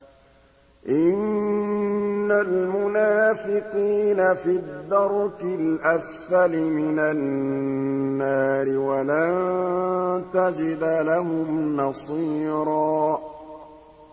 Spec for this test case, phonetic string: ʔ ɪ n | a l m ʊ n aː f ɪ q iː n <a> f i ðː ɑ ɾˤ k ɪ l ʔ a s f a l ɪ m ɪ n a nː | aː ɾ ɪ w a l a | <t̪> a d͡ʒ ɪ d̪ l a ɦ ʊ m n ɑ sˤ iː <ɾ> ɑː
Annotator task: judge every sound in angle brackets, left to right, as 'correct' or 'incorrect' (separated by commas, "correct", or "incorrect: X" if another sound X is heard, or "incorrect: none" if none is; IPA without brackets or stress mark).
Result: correct, correct, correct